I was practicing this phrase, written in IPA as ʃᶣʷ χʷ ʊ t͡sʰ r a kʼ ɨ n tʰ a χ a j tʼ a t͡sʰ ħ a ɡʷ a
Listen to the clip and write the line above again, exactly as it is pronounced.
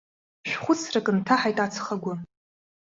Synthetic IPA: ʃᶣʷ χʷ ʊ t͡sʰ r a kʼ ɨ n tʰ a ħ a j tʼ a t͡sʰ χ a ɡʷ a